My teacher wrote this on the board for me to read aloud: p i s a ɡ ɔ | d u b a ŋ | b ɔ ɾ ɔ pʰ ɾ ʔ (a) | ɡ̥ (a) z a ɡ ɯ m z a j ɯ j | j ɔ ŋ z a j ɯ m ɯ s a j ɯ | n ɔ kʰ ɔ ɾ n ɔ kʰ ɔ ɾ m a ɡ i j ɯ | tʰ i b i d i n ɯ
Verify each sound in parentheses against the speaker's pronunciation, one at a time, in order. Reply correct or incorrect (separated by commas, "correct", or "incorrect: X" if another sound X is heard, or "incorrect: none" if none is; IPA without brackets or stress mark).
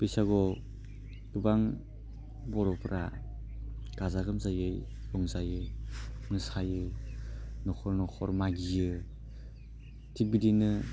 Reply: correct, correct